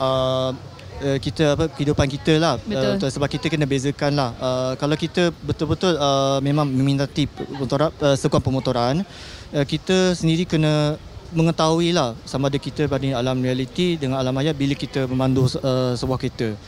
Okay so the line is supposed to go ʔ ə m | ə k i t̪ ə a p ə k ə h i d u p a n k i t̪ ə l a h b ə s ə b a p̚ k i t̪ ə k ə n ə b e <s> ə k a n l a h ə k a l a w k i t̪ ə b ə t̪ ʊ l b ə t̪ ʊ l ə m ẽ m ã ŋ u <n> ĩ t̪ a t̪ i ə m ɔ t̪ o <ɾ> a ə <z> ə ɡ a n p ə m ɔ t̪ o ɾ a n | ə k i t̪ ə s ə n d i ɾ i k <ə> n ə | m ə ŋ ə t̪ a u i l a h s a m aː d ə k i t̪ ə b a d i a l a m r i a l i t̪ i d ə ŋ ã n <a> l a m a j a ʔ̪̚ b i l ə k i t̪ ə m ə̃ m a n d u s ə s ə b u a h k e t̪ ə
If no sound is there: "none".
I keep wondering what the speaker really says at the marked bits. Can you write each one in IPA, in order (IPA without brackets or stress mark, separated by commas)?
z, m, ɾ, s, ə, a